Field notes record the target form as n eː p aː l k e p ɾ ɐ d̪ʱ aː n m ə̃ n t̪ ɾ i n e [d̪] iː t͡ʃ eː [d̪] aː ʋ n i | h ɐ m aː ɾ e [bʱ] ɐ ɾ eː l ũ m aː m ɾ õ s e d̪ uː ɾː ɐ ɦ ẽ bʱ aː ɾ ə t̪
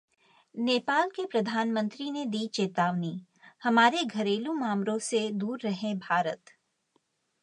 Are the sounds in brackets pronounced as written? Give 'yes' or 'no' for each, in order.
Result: yes, no, no

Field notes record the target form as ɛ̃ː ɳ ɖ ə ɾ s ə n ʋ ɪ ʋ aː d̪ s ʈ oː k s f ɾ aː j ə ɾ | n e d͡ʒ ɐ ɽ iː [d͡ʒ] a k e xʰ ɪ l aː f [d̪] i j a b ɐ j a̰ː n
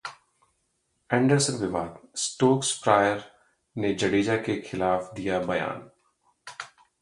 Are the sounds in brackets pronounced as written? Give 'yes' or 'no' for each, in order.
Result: yes, yes

